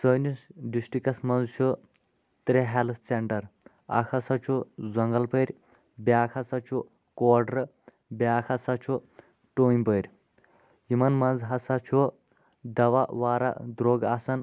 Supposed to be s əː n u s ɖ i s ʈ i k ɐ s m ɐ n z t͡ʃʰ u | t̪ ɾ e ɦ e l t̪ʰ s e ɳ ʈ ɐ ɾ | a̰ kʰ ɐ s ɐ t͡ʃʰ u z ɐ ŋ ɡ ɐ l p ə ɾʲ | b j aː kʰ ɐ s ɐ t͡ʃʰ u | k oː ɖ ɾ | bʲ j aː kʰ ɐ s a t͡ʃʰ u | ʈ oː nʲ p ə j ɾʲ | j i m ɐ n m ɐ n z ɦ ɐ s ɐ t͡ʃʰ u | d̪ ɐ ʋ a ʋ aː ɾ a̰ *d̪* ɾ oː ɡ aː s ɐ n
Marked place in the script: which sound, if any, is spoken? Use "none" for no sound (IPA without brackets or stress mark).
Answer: d̪